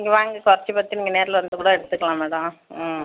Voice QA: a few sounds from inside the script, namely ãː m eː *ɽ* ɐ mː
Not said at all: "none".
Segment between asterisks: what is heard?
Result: ɽ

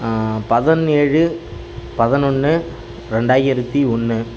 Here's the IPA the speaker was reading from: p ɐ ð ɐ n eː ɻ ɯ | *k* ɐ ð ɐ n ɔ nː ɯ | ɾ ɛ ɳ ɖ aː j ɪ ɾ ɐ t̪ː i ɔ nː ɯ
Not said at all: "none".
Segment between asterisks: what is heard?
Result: p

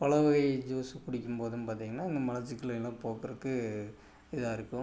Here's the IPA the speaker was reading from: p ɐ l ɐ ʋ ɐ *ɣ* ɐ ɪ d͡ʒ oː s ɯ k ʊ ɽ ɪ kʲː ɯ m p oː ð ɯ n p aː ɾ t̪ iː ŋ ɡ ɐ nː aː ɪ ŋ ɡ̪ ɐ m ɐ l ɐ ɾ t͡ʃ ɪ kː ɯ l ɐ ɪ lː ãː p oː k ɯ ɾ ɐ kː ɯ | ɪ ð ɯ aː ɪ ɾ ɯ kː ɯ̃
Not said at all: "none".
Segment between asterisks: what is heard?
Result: ɣ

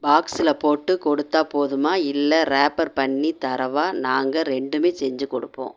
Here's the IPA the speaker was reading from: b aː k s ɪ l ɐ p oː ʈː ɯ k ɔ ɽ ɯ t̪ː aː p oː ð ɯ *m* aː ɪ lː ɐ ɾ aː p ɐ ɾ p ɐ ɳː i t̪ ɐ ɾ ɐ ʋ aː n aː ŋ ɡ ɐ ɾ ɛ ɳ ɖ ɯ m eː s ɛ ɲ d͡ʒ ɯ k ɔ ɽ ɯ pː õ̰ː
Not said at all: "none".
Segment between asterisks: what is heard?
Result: m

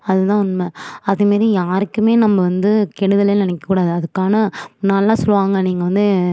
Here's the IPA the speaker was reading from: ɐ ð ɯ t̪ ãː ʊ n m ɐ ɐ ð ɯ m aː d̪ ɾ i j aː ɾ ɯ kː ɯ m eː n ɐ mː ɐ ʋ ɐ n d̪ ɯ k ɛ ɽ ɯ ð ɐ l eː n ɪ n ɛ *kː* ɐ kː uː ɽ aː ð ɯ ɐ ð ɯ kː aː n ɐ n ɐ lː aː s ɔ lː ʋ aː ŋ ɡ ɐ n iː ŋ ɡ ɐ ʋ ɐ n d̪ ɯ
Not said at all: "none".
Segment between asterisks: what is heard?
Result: kː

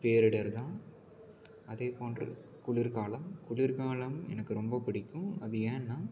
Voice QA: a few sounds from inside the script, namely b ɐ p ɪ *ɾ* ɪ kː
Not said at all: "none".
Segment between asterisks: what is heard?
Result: ɽ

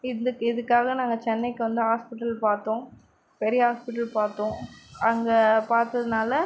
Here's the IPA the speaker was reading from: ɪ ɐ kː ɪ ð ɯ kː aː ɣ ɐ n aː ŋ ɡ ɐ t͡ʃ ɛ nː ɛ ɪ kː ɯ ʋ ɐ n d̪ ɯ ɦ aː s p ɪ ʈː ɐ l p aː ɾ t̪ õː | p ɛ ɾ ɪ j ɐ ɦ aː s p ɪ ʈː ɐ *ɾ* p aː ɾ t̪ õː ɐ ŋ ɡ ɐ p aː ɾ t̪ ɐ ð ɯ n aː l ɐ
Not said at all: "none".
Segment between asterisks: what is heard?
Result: l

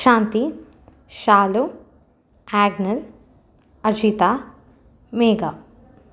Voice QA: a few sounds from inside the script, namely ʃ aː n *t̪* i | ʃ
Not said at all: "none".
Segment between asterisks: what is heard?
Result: t̪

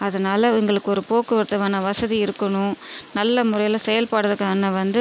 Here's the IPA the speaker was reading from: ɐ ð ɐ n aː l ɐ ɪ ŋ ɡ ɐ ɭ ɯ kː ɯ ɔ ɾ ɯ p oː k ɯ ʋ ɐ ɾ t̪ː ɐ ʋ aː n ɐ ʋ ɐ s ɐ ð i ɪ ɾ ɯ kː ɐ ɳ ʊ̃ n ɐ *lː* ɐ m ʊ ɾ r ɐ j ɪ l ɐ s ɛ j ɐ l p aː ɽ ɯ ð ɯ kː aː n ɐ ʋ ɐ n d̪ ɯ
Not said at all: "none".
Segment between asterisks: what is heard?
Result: lː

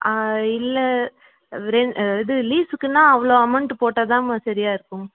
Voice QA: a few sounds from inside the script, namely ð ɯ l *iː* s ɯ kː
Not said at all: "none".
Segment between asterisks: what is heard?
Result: iː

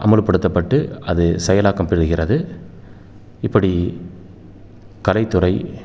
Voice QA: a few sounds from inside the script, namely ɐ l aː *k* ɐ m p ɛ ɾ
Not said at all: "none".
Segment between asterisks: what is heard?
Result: k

